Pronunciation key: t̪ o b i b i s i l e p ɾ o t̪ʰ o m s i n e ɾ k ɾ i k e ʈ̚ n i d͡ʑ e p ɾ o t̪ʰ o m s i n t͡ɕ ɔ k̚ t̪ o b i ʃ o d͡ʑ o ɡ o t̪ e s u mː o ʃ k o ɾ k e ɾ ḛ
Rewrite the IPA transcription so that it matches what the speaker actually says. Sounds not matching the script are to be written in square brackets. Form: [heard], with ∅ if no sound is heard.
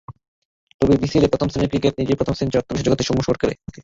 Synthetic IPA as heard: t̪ o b i b i s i l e p ɾ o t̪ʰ o m s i n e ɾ k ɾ i k e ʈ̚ n i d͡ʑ e p ɾ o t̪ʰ o m s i n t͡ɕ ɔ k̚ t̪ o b i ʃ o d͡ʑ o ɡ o t̪ e [ʃ] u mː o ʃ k o ɾ k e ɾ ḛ